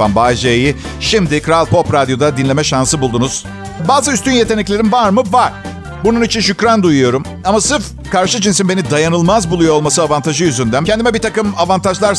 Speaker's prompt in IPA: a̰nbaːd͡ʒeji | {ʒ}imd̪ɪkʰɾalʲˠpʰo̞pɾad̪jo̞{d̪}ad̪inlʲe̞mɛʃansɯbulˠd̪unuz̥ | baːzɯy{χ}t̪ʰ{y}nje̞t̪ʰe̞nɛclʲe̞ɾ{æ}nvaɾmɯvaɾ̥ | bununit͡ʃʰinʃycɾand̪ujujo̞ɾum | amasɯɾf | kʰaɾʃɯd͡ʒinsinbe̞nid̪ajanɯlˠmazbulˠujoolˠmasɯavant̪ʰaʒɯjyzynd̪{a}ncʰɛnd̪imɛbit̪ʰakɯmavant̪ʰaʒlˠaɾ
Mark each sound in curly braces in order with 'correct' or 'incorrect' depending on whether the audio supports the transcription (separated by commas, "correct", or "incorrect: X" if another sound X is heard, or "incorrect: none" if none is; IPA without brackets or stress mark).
incorrect: ʃ, correct, incorrect: s, correct, incorrect: i, incorrect: æ